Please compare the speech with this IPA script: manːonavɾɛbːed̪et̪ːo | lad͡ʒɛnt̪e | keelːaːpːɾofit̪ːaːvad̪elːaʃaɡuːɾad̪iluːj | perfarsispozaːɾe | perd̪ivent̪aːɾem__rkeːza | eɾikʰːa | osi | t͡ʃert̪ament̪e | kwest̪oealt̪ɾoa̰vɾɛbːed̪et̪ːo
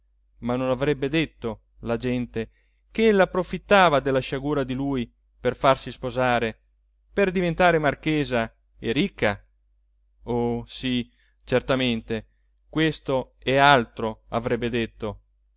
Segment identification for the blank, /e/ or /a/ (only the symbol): a